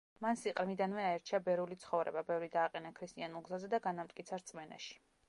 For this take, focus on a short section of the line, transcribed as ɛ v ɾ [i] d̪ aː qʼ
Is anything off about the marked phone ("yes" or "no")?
no